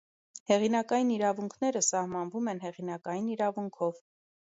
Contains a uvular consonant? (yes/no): yes